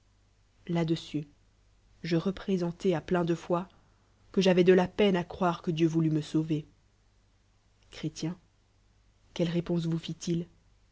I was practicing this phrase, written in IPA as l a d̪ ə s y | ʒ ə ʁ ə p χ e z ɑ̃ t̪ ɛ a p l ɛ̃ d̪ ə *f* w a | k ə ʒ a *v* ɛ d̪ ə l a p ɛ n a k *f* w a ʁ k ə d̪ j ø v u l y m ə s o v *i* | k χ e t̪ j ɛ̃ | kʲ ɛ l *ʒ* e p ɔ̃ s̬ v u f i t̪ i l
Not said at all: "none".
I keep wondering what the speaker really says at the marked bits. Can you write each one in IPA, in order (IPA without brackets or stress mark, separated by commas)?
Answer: f, v, χ, e, ʁ